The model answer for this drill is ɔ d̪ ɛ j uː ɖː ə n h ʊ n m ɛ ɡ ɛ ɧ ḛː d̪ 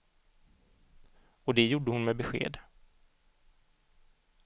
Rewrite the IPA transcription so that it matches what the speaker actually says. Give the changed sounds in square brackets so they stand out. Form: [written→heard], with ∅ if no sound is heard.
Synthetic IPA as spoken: ɔ d̪ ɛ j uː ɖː ə [n→∅] h ʊ n m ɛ [ɡ→b] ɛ ɧ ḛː d̪